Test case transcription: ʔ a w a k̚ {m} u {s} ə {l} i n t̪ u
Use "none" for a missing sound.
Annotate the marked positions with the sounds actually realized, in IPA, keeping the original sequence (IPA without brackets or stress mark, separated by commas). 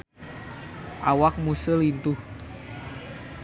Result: m, s, l